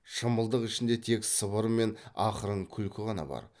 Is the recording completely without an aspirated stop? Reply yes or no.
no